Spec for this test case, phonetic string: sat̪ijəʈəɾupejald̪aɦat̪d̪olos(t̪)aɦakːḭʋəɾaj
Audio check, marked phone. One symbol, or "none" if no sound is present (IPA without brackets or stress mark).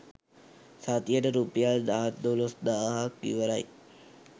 d̪